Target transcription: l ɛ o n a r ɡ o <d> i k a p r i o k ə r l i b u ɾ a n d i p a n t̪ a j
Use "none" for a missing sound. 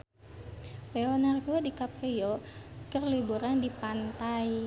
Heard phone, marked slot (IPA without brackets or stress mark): d